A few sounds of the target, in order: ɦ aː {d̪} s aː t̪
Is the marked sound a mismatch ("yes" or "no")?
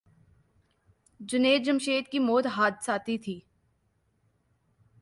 no